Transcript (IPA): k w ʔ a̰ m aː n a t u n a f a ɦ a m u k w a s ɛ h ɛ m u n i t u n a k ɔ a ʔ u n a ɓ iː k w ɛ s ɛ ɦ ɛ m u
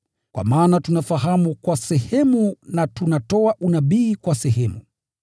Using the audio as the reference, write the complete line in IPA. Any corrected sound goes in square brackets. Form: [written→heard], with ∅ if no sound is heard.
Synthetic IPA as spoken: k w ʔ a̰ m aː n a t u n a f a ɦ a m u k w a s ɛ h ɛ m u n [i→a] t u n a [k→t] ɔ a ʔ u n a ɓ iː k w [ɛ→a] s ɛ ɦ ɛ m u